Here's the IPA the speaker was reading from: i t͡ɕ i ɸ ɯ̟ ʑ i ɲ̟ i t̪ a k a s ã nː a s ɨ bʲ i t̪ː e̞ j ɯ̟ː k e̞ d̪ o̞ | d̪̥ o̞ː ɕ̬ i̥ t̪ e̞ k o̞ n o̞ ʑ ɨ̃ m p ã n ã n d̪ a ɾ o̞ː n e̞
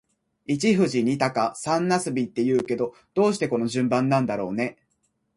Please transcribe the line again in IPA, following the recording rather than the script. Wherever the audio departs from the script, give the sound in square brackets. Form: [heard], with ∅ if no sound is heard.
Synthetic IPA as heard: i t͡ɕ i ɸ ɯ̟ ʑ i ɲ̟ i t̪ a k a s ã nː a s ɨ bʲ i t̪ː e̞ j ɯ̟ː k e̞ d̪ o̞ | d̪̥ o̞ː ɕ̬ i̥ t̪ e̞ k o̞ n o̞ ʑ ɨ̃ m [b] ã [nː] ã n d̪ a ɾ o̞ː n e̞

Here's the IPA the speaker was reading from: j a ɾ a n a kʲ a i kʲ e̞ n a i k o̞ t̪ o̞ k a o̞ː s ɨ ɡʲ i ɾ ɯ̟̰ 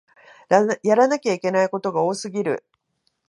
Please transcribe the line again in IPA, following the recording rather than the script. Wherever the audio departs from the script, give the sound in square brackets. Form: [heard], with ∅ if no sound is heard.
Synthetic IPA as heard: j a ɾ a n a kʲ a i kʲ e̞ n a i k o̞ t̪ o̞ [ɡ] a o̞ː s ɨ ɡʲ i ɾ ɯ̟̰

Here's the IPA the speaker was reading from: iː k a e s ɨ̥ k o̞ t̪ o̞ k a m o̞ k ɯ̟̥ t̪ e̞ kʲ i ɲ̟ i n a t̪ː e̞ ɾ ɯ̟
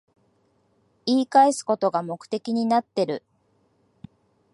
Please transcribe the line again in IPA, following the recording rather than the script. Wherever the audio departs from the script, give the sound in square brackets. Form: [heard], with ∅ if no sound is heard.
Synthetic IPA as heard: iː k a e s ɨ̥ k o̞ t̪ o̞ [ɡ] a m o̞ k ɯ̟̥ t̪ e̞ kʲ i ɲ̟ i n a t̪ː e̞ ɾ ɯ̟

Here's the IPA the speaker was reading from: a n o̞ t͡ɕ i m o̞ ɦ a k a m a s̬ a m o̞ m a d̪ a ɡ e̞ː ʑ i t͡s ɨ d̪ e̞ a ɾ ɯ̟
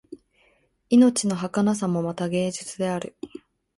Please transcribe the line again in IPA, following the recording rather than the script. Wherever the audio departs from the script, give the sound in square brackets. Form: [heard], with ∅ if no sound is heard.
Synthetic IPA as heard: [i] n o̞ t͡ɕ i [n] o̞ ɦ a k a [n] a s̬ a m o̞ m a [t̪] a ɡ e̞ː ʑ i t͡s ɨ d̪ e̞ a ɾ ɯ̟

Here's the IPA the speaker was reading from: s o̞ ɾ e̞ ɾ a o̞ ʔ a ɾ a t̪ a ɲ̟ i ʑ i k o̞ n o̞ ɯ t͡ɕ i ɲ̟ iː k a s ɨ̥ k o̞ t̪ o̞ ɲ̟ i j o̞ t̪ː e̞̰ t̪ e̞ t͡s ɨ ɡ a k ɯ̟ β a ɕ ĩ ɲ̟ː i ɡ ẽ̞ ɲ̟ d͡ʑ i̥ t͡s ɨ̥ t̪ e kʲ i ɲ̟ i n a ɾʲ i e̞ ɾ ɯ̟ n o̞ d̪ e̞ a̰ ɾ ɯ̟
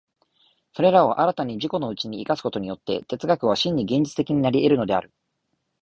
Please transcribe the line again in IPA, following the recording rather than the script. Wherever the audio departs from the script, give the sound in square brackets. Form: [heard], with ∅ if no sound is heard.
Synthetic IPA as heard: s o̞ ɾ e̞ ɾ a o̞ ʔ a ɾ a t̪ a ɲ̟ i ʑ i k o̞ n o̞ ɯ t͡ɕ i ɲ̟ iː k a s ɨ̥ k o̞ t̪ o̞ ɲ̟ i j o̞ t̪ː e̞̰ t̪ e̞ t͡s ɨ ɡ a k ɯ̟ β a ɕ ĩ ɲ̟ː i ɡ ẽ̞ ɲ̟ d͡ʑ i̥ t͡s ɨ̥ t̪ e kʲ i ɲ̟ i n a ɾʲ i e̞ ɾ ɯ̟ n o̞ d̪ e̞ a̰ ɾ ɯ̟

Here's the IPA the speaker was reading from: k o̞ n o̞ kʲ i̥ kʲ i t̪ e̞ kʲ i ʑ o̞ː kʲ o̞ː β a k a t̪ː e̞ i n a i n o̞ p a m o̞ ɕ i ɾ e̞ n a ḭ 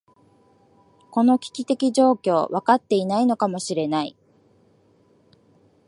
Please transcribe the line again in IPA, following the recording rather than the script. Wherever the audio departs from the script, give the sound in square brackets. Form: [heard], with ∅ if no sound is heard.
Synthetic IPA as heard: k o̞ n o̞ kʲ i̥ kʲ i t̪ e̞ kʲ i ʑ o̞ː kʲ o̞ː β a k a t̪ː e̞ i n a i n o̞ [k] a m o̞ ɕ i ɾ e̞ n a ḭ

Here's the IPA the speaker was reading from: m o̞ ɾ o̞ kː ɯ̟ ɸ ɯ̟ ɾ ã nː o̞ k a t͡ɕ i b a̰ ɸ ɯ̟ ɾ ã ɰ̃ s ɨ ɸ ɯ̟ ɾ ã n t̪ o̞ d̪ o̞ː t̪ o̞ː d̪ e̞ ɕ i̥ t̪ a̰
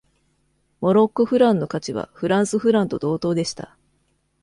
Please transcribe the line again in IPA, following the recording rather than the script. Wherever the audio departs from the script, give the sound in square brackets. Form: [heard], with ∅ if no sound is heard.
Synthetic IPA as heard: m o̞ ɾ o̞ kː ɯ̟ ɸ ɯ̟ ɾ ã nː o̞ k a t͡ɕ i [β] a̰ ɸ ɯ̟ ɾ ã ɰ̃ s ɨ ɸ ɯ̟ ɾ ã n t̪ o̞ d̪ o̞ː t̪ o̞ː d̪ e̞ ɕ i̥ t̪ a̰

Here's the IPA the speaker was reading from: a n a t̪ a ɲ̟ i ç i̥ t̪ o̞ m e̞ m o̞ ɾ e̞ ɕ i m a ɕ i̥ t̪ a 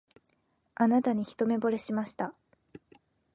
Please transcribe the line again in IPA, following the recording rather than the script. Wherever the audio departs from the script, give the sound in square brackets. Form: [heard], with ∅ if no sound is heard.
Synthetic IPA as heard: a n a t̪ a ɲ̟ i ç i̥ t̪ o̞ m e̞ [b] o̞ ɾ e̞ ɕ i m a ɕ i̥ t̪ a

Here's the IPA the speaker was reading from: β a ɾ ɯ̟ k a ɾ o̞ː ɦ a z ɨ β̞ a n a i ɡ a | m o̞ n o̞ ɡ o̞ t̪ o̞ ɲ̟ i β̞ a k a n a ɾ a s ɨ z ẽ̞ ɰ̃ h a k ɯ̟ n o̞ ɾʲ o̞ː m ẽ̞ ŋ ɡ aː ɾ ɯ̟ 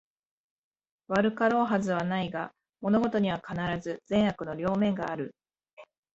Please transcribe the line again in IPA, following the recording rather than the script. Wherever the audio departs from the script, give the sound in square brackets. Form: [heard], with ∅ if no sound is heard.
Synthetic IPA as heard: β a ɾ ɯ̟ k a ɾ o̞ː ɦ a z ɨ β̞ a n a i ɡ a | m o̞ n o̞ ɡ o̞ t̪ o̞ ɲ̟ i β̞ a k a n a ɾ a [z] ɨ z ẽ̞ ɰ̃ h a k ɯ̟ n o̞ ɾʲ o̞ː m ẽ̞ ŋ ɡ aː ɾ ɯ̟

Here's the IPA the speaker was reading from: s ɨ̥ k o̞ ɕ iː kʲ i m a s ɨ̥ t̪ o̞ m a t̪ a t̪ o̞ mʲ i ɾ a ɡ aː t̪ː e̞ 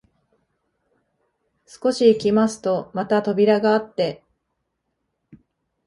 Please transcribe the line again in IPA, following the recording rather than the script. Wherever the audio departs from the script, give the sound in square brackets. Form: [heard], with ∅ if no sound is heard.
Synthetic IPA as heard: s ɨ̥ k o̞ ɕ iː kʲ i m a s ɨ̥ t̪ o̞ m a t̪ a t̪ o̞ [bʲ] i ɾ a ɡ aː t̪ː e̞

